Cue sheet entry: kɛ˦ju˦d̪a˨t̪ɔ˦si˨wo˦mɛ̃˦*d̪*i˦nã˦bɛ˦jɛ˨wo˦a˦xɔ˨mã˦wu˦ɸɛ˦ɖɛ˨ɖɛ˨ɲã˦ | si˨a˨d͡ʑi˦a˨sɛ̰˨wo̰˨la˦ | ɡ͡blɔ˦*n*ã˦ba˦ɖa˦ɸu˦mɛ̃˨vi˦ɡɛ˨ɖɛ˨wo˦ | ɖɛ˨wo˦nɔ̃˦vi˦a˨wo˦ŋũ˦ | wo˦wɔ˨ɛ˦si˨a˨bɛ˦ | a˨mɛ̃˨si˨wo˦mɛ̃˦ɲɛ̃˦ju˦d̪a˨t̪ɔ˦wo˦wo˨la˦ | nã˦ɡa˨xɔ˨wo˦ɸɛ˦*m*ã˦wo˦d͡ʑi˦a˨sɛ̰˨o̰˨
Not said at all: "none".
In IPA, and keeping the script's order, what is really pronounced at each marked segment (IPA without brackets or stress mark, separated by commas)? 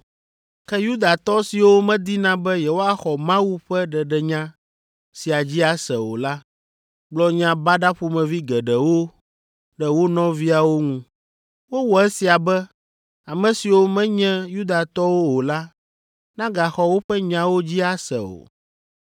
d̪, ɲ, ɲ